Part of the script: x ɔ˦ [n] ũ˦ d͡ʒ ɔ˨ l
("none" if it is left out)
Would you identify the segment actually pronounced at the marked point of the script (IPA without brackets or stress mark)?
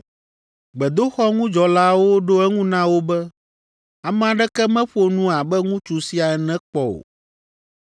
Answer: ŋ